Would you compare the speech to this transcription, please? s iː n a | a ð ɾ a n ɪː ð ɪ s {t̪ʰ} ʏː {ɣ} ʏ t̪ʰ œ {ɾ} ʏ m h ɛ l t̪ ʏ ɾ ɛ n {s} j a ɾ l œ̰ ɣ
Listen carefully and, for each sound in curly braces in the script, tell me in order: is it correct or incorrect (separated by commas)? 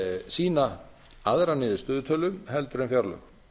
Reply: incorrect, incorrect, incorrect, incorrect